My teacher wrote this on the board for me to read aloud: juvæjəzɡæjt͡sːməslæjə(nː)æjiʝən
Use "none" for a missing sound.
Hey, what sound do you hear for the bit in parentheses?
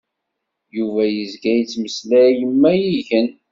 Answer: mː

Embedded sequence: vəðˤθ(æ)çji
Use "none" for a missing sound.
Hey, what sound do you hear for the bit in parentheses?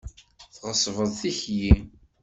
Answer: i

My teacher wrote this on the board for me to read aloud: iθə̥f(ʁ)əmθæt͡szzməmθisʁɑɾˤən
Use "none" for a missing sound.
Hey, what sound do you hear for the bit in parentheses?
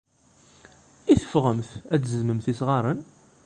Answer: ʁ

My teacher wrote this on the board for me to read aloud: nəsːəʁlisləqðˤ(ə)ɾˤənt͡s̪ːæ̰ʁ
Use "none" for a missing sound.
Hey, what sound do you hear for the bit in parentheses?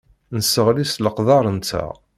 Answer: ɑ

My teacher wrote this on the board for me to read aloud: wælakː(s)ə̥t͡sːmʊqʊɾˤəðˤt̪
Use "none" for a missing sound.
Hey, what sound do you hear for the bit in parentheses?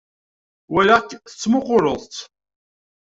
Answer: θ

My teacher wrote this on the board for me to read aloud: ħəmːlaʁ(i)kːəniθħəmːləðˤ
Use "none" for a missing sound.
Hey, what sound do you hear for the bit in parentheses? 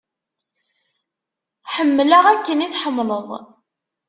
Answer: æ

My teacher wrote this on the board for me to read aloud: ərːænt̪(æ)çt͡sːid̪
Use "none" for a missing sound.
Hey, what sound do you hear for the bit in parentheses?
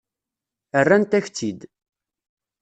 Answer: æ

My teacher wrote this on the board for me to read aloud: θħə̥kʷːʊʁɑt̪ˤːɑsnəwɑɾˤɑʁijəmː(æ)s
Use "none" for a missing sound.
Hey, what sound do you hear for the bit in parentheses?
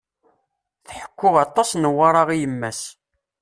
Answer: æ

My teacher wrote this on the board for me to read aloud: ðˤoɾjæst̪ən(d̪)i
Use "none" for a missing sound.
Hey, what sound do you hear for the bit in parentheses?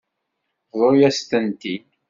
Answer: t̪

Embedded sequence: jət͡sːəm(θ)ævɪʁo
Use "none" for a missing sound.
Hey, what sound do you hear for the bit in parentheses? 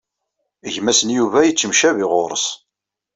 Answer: ʃ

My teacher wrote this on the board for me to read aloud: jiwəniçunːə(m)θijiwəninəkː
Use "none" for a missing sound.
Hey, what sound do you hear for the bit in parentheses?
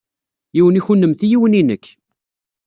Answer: m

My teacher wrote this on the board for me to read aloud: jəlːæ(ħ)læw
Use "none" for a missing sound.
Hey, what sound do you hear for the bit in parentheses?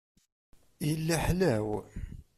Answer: ħ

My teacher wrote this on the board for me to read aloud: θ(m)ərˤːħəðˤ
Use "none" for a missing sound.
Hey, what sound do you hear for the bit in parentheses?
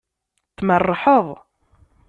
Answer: m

